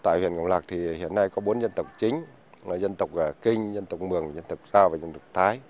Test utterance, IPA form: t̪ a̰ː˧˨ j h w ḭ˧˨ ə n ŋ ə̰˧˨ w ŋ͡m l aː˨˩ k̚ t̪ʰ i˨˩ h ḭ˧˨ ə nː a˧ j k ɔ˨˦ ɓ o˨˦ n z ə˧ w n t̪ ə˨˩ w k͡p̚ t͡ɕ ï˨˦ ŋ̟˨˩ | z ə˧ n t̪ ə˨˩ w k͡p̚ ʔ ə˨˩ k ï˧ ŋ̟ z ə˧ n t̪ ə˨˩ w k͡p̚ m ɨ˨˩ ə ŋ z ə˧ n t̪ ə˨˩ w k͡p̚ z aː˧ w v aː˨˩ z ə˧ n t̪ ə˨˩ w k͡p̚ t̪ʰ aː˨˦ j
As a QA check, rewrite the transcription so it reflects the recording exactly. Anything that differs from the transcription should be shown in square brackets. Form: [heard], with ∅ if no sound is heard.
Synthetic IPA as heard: t̪ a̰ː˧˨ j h w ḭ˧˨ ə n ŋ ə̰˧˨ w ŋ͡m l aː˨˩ k̚ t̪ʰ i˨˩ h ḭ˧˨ ə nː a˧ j k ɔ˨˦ ɓ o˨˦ n z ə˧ [∅] n t̪ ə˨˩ w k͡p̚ t͡ɕ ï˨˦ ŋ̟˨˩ | z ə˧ n t̪ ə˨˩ w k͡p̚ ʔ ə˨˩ k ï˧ ŋ̟ z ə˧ n t̪ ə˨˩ w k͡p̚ m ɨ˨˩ ə ŋ z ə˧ n t̪ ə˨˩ w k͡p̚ z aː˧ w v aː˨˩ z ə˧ n t̪ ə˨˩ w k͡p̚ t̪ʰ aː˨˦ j

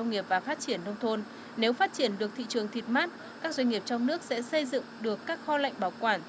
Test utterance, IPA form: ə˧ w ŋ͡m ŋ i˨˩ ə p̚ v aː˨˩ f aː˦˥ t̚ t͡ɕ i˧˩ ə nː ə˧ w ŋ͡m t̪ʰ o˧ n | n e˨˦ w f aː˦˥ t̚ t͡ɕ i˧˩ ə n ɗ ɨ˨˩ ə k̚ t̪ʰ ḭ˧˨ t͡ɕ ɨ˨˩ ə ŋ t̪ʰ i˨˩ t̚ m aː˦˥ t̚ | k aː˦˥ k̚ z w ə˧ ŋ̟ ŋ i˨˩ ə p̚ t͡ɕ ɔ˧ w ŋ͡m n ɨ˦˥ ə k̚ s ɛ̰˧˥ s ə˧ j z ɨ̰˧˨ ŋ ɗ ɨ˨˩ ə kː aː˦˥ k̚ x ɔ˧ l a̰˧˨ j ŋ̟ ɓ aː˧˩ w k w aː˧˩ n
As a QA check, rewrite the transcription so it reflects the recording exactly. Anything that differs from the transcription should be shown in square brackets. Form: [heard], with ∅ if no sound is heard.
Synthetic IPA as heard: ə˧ w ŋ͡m ŋ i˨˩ ə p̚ v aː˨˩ f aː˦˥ t̚ t͡ɕ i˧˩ ə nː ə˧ w ŋ͡m t̪ʰ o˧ n | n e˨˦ w f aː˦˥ t̚ t͡ɕ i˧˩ ə n ɗ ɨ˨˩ ə k̚ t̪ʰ ḭ˧˨ t͡ɕ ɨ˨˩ ə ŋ t̪ʰ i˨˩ t̚ m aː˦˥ t̚ | k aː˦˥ k̚ z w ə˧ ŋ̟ ŋ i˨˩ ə p̚ t͡ɕ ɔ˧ w ŋ͡m n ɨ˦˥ ə k̚ s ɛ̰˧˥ s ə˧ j z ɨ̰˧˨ ŋ ɗ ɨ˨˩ ə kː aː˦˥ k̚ x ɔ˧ l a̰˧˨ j ŋ̟ ɓ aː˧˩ w k w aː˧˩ n

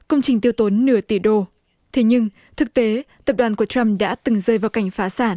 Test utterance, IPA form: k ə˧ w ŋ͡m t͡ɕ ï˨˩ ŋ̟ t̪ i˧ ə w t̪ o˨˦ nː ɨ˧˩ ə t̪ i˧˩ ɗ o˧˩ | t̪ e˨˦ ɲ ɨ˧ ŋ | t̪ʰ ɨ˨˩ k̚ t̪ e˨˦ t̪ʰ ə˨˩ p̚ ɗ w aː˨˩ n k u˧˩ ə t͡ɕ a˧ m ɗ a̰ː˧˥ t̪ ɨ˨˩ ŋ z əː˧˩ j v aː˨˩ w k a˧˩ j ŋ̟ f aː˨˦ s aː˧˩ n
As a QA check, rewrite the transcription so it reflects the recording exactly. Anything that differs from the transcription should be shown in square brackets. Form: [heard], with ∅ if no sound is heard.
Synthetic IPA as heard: k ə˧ w ŋ͡m t͡ɕ ï˨˩ ŋ̟ t̪ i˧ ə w t̪ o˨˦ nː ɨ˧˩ ə t̪ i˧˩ ɗ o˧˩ | [t̪ʰ] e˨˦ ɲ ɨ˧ ŋ | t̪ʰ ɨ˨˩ k̚ t̪ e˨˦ [t̪] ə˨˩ p̚ ɗ w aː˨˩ n k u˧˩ ə t͡ɕ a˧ m ɗ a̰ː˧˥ t̪ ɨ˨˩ ŋ z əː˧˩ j v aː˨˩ w k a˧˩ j ŋ̟ f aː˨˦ s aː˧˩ n

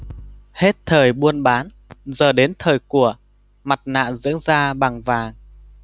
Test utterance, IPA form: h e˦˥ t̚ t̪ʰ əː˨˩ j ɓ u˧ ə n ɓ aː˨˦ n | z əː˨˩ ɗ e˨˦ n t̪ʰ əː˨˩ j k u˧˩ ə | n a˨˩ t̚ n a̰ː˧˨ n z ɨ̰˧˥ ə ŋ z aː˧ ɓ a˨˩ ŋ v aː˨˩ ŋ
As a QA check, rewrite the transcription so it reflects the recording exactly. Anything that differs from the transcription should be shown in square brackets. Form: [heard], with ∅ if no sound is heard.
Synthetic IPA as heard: h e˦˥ t̚ t̪ʰ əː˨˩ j ɓ u˧ ə n ɓ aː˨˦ n | z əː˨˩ ɗ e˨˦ n t̪ʰ əː˨˩ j k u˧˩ ə | [m] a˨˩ t̚ n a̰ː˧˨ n z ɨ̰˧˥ ə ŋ z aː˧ ɓ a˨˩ ŋ v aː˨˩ ŋ

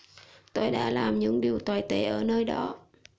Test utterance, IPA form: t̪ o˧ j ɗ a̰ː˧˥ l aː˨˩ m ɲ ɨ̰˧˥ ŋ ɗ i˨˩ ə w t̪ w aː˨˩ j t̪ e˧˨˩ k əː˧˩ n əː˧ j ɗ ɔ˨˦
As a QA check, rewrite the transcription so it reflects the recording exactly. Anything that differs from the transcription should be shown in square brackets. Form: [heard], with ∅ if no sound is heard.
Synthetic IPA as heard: t̪ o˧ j ɗ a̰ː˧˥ l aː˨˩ m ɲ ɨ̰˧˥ ŋ ɗ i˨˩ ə w t̪ w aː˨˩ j t̪ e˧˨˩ [ʔ] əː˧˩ n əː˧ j ɗ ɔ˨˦

